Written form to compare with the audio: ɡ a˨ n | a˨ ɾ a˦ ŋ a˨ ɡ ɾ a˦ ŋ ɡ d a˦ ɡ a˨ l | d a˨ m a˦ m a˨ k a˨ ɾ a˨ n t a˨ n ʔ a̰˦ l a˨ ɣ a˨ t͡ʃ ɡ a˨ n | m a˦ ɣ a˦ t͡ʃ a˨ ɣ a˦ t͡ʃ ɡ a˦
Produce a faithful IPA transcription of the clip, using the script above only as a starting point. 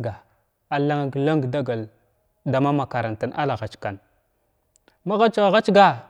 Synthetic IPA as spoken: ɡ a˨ | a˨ l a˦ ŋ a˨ ɡ l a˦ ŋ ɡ d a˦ ɡ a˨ l | d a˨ m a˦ m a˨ k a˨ ɾ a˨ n t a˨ n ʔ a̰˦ l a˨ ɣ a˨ t͡ʃ k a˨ n | m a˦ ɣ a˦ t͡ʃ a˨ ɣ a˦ t͡ʃ ɡ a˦